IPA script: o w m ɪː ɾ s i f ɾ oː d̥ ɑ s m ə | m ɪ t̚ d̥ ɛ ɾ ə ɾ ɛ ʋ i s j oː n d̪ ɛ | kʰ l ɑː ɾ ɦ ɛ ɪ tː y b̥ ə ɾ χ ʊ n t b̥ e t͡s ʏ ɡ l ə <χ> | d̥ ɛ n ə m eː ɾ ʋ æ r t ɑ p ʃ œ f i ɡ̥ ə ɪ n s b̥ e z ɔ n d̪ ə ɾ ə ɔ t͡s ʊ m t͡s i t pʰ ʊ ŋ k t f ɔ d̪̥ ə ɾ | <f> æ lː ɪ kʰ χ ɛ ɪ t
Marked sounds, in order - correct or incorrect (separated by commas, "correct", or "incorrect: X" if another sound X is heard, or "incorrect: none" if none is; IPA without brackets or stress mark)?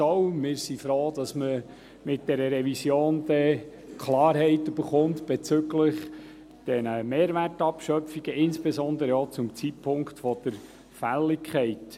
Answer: correct, correct